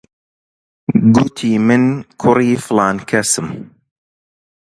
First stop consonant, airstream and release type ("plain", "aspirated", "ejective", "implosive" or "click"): plain